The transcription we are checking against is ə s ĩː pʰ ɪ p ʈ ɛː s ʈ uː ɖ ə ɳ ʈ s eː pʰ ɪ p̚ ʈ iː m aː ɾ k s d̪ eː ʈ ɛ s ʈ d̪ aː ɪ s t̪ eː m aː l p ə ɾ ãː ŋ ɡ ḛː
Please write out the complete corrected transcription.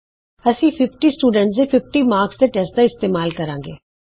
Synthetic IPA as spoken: ə s ĩː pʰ ɪ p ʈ iː s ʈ uː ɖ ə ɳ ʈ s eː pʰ ɪ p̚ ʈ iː m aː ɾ k s d̪ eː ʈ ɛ s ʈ d̪ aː ɪ s t̪ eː m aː l k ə ɾ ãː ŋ ɡ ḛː